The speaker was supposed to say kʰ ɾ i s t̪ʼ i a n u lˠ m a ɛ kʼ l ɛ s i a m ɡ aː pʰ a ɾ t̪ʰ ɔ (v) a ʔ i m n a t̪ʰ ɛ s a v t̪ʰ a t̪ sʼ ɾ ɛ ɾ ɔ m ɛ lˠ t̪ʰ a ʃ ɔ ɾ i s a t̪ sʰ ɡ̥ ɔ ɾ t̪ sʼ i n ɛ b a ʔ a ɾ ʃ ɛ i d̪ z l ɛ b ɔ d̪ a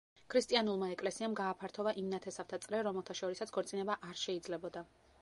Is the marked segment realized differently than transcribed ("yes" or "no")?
no